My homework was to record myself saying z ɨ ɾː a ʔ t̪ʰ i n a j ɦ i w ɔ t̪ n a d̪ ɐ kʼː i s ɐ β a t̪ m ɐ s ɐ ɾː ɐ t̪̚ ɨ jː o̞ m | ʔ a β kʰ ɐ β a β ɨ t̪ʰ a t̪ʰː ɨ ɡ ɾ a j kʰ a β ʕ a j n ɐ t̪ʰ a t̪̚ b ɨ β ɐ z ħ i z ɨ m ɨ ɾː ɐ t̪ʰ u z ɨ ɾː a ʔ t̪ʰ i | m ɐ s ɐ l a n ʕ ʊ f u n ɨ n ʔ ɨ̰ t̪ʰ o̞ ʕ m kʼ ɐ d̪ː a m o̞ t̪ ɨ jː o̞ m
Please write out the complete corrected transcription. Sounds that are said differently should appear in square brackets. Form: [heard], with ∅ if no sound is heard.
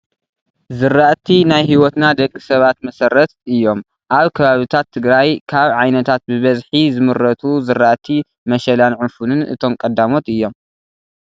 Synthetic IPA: z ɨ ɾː a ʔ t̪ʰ i n a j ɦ i w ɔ t̪ n a d̪ ɐ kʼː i s ɐ β a t̪ m ɐ s ɐ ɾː ɐ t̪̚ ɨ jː o̞ m | ʔ a β kʰ ɐ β a β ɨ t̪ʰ a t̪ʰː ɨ ɡ ɾ a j kʰ a β ʕ a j n ɐ t̪ʰ a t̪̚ b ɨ β ɐ z ħ i z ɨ m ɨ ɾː ɐ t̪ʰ u z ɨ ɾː a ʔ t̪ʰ i | m ɐ [ʃ] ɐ l a n ʕ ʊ f u n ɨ n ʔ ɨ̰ t̪ʰ o̞ [∅] m kʼ ɐ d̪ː a m o̞ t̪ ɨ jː o̞ m